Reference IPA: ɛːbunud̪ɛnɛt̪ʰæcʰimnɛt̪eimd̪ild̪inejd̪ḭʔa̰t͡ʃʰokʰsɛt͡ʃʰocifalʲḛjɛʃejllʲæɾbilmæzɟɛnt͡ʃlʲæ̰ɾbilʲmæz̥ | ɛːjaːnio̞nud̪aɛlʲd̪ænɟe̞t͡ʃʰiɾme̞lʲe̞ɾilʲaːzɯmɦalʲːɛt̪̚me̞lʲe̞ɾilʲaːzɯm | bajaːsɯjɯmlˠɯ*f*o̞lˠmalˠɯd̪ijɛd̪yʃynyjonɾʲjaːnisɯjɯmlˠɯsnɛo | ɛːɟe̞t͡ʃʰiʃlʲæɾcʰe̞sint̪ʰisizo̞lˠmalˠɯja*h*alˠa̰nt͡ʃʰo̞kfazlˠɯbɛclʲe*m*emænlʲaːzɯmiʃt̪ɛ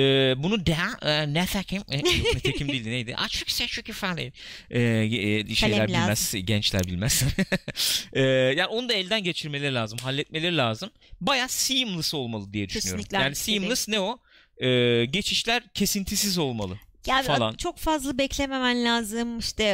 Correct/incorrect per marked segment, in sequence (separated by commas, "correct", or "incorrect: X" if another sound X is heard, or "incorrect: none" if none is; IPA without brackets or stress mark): incorrect: s, incorrect: f, correct